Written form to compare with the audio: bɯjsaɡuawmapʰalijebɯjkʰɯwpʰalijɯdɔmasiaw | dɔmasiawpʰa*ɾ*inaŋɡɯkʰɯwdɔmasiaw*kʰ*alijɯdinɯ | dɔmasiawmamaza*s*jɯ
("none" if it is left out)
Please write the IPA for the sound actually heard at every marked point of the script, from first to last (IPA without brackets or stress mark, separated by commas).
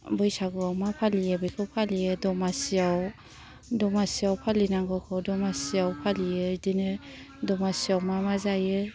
l, pʰ, none